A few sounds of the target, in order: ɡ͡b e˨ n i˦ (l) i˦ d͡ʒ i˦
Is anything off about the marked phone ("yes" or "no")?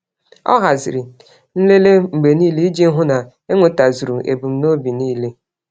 no